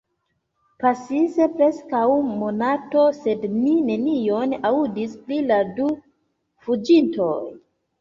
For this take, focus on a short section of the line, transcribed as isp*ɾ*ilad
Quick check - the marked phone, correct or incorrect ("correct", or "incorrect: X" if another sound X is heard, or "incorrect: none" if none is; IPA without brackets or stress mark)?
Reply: incorrect: l